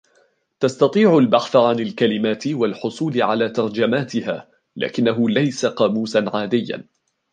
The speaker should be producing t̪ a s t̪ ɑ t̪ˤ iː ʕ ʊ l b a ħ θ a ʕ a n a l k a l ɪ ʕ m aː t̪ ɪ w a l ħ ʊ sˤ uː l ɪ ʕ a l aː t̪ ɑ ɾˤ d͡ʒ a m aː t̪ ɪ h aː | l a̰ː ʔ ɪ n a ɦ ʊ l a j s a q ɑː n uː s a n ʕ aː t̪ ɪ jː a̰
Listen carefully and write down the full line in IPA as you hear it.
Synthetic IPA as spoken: t̪ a s t̪ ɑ t̪ˤ iː ʕ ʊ l b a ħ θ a ʕ a n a l k a l ɪ m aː t̪ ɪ w a l ħ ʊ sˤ uː l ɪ ʕ a l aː t̪ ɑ ɾˤ d͡ʒ a m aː t̪ ɪ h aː | l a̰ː k ɪ nː a ɦ ʊ l a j s a q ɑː m uː s a n ʕ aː d̪ ɪ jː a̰